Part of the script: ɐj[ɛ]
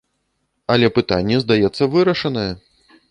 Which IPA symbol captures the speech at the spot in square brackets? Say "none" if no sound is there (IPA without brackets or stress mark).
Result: ɛ